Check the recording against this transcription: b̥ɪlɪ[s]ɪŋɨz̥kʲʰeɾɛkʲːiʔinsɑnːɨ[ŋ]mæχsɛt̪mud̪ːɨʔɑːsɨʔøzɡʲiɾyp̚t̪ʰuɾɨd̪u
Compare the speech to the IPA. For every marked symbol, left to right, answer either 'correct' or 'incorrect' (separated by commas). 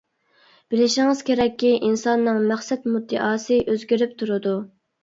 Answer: incorrect, correct